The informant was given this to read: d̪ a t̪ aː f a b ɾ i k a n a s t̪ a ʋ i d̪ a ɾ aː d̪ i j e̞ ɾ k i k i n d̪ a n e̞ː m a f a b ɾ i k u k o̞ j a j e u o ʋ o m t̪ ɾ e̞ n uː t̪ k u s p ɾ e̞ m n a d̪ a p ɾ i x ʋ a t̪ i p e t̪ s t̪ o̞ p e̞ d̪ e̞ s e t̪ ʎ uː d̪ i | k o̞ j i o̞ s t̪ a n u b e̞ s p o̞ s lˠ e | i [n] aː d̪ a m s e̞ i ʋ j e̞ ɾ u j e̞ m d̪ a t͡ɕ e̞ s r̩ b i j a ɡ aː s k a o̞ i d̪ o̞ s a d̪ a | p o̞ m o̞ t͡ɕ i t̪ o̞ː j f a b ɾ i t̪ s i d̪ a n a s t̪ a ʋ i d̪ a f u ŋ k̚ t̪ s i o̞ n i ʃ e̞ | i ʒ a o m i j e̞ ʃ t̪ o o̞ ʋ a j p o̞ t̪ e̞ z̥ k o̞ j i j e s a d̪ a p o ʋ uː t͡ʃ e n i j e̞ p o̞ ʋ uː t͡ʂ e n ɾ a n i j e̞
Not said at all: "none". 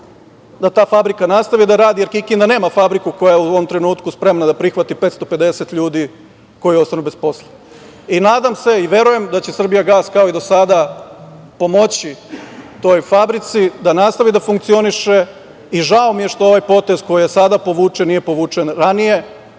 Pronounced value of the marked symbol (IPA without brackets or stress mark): n